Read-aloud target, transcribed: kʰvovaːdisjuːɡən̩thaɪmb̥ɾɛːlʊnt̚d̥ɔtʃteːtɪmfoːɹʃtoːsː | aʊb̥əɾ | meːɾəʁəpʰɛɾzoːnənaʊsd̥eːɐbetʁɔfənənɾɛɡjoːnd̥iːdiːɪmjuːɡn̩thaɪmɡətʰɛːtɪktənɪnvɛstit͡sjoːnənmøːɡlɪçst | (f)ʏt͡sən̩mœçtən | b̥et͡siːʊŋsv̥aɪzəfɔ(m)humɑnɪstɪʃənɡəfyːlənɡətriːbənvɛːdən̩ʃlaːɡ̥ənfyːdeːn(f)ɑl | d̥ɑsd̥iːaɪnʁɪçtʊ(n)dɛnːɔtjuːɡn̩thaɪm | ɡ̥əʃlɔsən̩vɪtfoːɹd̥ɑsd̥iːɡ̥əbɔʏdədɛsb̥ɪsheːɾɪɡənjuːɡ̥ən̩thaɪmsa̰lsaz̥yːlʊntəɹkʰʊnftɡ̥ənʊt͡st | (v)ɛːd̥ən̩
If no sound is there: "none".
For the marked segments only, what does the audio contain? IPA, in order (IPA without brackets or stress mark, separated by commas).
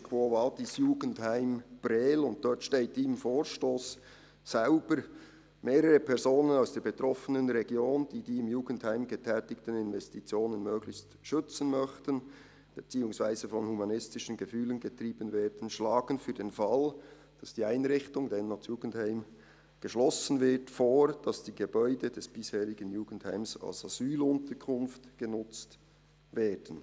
ʃ, n, f, ŋ, v